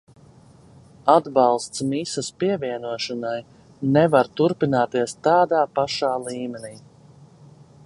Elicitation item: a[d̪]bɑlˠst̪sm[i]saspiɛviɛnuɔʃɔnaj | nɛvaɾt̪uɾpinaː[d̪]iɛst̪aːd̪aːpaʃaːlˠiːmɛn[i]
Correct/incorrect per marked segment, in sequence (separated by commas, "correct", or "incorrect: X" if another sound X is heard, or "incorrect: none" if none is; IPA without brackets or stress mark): correct, correct, incorrect: t̪, incorrect: iː